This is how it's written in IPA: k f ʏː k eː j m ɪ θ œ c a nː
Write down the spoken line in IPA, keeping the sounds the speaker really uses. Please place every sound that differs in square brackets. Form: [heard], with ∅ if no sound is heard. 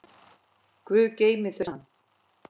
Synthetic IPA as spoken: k [v] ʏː [c] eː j m ɪ θ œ [∅] a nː